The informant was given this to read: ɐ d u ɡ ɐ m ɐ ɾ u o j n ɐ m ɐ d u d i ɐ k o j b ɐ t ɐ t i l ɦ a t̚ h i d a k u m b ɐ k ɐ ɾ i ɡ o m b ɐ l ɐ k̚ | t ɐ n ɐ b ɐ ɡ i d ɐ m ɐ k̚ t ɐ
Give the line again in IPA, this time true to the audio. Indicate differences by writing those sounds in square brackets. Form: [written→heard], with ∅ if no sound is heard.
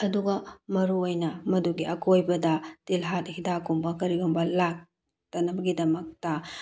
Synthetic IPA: ɐ d u ɡ ɐ m ɐ ɾ u o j n ɐ m ɐ d u [d→ɡ] i ɐ k o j b ɐ [t→d] ɐ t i l ɦ a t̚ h i d a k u m b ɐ k ɐ ɾ i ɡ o m b ɐ l [ɐ→a] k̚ | t ɐ n ɐ b ɐ ɡ i d ɐ m ɐ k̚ t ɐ